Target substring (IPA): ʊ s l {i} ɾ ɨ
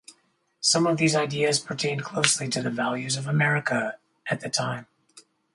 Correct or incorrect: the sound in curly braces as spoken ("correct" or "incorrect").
correct